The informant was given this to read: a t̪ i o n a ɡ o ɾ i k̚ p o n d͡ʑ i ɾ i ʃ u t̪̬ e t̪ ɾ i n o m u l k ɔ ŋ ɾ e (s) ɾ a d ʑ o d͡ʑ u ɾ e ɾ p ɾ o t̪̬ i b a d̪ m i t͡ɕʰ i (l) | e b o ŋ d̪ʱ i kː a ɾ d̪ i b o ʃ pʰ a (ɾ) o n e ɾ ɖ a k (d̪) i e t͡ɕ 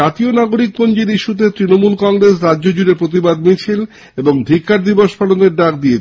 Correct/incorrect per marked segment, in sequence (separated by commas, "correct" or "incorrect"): correct, correct, incorrect, correct